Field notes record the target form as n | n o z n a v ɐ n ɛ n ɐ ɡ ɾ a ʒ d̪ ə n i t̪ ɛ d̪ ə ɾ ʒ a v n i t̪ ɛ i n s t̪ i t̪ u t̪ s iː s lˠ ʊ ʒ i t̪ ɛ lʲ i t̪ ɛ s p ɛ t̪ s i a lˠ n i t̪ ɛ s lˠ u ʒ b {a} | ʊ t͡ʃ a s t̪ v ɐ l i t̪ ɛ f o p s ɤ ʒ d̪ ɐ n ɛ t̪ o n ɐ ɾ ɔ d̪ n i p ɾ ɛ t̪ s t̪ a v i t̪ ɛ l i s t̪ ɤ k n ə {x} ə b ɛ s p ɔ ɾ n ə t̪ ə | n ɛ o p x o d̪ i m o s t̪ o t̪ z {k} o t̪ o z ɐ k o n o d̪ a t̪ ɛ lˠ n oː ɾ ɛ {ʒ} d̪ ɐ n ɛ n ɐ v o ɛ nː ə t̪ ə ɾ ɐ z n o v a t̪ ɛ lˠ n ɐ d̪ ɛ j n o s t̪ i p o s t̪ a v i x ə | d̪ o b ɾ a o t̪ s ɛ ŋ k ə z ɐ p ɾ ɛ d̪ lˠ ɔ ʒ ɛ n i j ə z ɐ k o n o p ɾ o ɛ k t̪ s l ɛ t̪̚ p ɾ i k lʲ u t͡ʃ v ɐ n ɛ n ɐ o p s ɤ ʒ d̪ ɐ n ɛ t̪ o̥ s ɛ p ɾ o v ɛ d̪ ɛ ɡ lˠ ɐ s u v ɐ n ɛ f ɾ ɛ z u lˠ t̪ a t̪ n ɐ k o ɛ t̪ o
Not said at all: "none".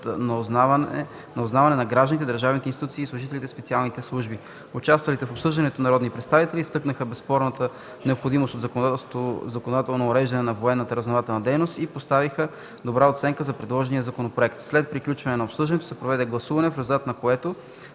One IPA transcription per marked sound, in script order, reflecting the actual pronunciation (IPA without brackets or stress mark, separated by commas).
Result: i, x, k, ʒ